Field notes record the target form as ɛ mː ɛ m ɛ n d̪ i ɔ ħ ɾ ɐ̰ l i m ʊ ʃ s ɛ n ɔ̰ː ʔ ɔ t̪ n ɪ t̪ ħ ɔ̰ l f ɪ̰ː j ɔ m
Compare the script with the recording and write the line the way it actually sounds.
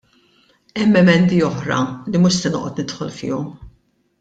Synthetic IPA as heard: ɛ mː ɛ m ɛ n d̪ i ɔ ħ ɾ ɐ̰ l i m ʊ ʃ s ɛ n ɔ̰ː ʔ ɔ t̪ n ɪ t̪ ħ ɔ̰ l f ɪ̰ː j ɔ m